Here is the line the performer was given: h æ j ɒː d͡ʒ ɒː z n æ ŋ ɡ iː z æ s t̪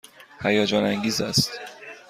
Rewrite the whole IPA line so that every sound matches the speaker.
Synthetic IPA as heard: h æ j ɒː d͡ʒ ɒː n æ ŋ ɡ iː z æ s t̪